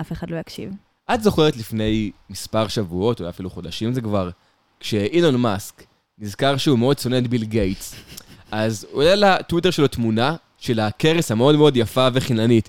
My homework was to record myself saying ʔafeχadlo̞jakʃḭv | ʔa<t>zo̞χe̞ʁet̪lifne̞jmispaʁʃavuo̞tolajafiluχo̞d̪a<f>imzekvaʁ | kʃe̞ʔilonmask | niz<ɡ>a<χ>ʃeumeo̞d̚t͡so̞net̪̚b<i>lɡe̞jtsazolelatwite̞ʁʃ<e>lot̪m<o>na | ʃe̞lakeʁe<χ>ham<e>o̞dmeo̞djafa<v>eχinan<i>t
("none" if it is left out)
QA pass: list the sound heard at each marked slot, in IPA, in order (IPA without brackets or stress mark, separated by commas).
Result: t, ʃ, k, ʁ, i, e, u, s, e, v, i